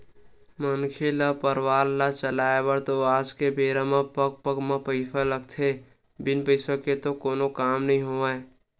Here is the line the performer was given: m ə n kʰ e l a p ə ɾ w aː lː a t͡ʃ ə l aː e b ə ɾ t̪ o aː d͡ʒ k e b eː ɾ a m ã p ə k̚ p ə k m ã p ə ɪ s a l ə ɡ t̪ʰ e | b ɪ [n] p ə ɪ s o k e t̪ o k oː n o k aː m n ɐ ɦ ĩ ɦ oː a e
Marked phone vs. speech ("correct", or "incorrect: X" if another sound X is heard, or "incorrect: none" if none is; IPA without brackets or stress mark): correct